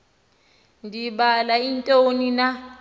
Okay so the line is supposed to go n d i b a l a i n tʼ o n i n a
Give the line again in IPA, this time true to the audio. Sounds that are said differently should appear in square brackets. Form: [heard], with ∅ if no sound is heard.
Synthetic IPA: n d i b a l a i n tʼ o n i n a